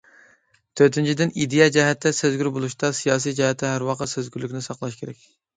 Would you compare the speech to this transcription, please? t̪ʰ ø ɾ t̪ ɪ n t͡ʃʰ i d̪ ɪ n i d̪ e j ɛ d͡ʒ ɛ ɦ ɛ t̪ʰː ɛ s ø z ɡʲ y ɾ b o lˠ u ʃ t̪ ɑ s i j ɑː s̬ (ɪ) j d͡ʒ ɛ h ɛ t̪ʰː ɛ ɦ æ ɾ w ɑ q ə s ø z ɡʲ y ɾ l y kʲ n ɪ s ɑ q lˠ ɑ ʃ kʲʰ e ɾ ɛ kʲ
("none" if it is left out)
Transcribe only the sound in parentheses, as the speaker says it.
i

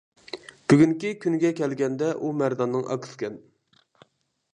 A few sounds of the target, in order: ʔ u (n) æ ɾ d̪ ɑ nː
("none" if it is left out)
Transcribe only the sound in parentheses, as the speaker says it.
m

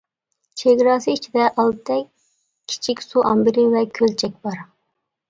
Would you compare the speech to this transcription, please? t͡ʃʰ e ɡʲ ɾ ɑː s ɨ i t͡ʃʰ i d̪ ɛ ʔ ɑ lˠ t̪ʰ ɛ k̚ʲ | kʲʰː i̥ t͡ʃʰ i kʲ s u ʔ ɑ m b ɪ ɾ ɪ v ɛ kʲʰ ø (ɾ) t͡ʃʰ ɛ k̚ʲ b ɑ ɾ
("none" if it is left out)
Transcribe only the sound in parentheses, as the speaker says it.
l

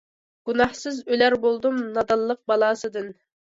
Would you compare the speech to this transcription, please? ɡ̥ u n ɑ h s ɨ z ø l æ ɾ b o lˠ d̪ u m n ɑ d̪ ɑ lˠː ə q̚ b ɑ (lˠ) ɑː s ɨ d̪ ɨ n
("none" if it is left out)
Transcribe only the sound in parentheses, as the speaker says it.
lˠ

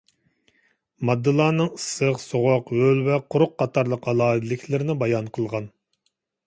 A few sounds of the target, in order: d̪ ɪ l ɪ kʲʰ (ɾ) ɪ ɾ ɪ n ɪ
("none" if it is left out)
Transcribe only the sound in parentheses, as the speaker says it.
l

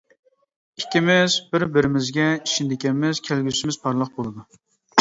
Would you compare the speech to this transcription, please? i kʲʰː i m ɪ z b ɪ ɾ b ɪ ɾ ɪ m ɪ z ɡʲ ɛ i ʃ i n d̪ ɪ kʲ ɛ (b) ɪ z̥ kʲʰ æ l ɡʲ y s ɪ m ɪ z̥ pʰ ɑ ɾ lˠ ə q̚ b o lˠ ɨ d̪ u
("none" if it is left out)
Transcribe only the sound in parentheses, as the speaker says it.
m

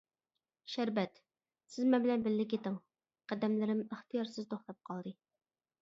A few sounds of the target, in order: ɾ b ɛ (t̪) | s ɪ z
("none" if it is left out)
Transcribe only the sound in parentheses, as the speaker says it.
t̪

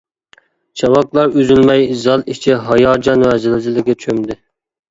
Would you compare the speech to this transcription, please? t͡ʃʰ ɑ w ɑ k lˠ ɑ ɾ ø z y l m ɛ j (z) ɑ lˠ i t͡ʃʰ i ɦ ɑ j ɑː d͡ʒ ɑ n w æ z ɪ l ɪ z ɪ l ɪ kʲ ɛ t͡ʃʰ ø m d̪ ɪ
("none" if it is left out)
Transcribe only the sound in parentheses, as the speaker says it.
z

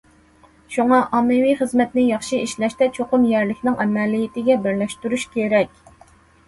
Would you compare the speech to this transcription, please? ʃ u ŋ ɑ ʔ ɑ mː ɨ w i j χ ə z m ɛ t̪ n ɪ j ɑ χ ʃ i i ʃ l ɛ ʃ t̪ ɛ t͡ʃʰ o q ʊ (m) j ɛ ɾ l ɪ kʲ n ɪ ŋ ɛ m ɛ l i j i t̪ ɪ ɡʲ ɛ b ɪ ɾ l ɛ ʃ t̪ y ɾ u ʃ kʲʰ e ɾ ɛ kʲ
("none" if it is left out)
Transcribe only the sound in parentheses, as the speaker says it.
m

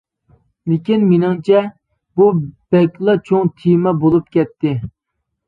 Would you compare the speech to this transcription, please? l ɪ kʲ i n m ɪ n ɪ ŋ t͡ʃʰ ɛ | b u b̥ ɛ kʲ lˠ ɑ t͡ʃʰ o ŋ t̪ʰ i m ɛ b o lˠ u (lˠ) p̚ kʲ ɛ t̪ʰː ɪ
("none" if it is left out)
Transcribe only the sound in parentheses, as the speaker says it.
none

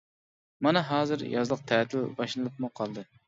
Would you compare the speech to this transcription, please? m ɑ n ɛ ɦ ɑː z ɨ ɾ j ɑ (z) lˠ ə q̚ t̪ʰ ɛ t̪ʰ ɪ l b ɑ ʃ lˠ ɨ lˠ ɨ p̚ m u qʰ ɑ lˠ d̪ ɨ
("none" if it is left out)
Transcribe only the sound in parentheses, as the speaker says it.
z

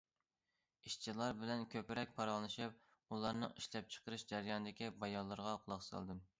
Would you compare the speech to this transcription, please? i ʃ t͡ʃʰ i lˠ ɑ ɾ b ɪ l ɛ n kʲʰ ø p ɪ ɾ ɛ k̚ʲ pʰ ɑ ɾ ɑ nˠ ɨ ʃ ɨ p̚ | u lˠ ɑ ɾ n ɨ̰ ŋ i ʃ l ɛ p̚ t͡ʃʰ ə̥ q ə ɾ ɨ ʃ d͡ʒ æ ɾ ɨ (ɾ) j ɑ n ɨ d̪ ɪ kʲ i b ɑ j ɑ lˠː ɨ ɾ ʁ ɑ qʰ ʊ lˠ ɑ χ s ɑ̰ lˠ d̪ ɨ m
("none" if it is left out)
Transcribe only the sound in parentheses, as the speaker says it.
none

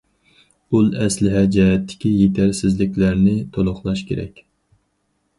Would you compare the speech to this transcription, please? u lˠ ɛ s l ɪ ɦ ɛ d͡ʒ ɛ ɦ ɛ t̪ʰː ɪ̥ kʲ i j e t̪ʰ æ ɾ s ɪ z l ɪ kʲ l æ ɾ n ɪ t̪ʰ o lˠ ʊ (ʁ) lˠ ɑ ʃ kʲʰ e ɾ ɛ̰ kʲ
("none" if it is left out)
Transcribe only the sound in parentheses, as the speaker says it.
χ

